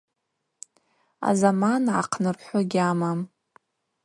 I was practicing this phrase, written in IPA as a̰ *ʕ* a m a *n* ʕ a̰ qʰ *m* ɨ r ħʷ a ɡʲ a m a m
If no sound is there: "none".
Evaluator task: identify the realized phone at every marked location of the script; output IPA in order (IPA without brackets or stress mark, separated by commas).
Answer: z, n, n